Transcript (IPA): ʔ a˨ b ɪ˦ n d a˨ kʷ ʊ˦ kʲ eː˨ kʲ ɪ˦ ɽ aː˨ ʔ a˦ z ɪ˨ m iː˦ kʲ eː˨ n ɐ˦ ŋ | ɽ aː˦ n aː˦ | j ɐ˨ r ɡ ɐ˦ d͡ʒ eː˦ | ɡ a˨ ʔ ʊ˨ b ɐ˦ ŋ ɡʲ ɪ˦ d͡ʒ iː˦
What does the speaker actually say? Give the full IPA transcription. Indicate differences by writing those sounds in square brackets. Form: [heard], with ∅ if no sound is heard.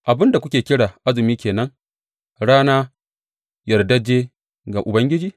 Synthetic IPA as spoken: ʔ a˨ b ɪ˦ n d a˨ kʷ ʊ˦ kʲ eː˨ kʲ ɪ˦ ɽ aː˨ ʔ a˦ z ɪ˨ m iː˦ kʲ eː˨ n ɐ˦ ŋ | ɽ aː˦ n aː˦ | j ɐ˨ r [d] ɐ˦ d͡ʒ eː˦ | ɡ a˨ ʔ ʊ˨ b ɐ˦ ŋ ɡʲ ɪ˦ d͡ʒ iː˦